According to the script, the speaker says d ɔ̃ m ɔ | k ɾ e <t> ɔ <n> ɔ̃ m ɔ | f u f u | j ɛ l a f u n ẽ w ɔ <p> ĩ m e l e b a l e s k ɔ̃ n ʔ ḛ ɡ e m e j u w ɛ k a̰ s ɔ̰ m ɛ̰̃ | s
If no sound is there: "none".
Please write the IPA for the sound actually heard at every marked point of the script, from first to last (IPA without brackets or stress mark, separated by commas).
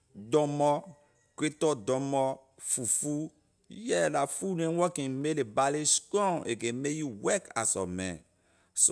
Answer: t, d, k